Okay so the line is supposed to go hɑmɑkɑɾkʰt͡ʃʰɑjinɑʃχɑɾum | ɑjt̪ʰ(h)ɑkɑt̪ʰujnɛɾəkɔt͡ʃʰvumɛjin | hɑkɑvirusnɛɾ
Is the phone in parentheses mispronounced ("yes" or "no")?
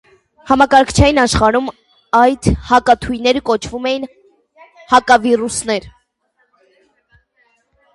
no